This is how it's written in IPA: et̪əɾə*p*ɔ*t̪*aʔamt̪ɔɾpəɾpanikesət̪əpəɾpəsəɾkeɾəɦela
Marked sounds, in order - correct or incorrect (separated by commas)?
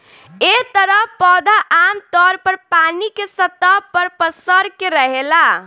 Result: correct, incorrect